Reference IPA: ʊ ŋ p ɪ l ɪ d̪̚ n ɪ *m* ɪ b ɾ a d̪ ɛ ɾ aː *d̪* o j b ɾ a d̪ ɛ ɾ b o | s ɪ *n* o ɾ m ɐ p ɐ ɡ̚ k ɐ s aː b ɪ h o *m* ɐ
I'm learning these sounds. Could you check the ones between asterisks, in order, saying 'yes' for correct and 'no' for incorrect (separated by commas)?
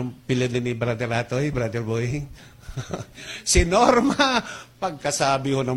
no, no, yes, no